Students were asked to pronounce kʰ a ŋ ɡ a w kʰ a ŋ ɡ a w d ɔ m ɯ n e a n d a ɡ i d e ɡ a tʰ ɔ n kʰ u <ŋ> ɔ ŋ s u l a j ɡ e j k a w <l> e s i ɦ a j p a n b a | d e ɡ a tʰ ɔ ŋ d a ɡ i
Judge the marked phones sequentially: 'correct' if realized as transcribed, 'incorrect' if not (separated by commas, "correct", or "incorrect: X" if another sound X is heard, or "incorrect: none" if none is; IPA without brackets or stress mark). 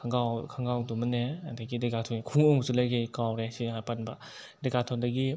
correct, incorrect: ɾ